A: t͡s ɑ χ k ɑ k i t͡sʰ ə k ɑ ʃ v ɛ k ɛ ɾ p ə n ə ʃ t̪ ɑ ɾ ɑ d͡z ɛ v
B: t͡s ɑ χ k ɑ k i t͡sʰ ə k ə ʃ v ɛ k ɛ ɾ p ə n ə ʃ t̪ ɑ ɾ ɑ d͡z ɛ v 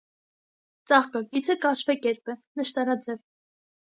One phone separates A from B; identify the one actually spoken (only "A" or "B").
A